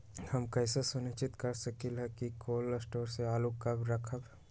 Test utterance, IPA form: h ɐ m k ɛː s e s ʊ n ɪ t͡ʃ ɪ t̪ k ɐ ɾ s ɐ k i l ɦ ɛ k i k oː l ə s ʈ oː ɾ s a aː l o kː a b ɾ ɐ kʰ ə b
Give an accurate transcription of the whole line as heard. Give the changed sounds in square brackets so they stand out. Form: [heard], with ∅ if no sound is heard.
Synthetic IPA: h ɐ m k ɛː s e s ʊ n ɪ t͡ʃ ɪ t̪ k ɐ ɾ s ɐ k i l ɦ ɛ k i k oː l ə s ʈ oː ɾ s [e] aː l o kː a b ɾ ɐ kʰ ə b